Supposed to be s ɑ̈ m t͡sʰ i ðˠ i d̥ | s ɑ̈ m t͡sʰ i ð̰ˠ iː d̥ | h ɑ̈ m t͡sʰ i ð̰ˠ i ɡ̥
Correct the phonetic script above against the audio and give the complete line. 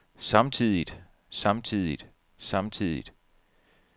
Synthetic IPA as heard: s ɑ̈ m t͡sʰ i ðˠ i d̥ | s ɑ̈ m t͡sʰ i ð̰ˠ i d̥ | s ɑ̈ m t͡sʰ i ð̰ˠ i d̥